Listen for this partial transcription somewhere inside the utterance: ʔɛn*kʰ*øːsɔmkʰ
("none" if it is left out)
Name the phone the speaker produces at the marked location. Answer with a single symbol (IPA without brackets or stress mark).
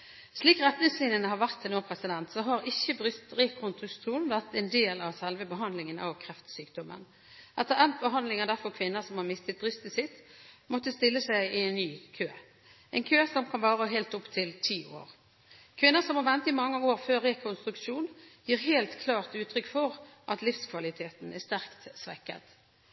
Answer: kʰ